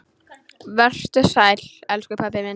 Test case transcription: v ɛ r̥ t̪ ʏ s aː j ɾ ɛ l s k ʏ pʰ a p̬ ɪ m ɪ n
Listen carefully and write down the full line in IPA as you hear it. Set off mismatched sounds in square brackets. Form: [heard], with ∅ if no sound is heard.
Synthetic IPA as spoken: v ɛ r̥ t̪ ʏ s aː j [l] ɛ l s k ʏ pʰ a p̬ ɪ m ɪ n